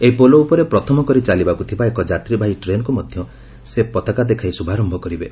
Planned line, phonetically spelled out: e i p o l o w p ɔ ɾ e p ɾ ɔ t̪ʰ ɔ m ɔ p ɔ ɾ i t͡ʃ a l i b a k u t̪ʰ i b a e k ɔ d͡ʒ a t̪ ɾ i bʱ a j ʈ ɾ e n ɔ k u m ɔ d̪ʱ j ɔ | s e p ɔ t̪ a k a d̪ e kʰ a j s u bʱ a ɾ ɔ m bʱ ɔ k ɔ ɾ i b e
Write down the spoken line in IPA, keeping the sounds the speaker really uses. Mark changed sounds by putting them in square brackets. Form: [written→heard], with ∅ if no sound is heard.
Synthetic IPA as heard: e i p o l o [w→u] p ɔ ɾ e p ɾ ɔ t̪ʰ ɔ m ɔ [p→k] ɔ ɾ i t͡ʃ a l i b a k u t̪ʰ i b a e k ɔ d͡ʒ a t̪ ɾ i bʱ a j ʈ ɾ e n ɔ k u m ɔ d̪ʱ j ɔ | s e p ɔ t̪ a k a d̪ e kʰ a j s u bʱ a ɾ ɔ m bʱ ɔ k ɔ ɾ i b e